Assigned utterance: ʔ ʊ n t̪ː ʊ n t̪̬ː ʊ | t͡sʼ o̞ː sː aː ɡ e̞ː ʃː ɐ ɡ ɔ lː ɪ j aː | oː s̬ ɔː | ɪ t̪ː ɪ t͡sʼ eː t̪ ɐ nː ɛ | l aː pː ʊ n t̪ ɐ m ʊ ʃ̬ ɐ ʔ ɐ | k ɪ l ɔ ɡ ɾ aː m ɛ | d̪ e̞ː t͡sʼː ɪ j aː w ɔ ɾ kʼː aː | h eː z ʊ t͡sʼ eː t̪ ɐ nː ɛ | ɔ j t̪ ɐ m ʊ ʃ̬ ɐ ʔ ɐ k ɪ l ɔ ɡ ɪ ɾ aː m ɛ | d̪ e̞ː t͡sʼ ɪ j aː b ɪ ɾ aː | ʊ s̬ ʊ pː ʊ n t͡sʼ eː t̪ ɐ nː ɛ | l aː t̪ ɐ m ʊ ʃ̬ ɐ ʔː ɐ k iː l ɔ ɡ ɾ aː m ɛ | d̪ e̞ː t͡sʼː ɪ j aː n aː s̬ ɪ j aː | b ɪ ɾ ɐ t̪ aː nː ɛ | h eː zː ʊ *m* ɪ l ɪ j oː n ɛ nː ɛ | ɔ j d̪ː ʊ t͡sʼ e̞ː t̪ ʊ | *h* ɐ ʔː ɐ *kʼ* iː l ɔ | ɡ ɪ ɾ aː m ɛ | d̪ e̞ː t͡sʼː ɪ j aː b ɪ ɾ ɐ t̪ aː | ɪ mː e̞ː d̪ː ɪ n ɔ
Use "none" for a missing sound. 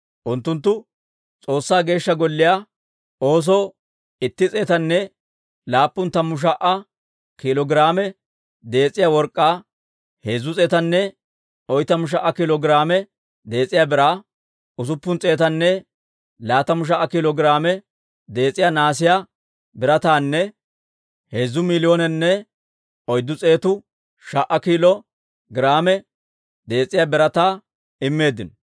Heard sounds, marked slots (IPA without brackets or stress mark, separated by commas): m, ʃ, k